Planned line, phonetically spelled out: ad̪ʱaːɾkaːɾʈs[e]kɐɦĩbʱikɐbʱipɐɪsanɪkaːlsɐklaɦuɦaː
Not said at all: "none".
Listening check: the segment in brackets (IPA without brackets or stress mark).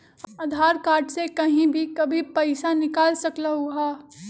e